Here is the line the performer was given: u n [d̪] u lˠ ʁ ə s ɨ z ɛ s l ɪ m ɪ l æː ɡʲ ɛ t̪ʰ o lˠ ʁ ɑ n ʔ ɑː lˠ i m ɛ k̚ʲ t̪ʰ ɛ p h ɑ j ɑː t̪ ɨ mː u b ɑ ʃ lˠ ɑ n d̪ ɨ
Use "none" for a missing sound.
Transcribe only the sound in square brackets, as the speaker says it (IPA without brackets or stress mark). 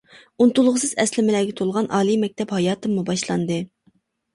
t̪